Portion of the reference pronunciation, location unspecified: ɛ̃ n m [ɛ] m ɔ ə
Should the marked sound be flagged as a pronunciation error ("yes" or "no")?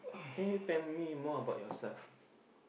yes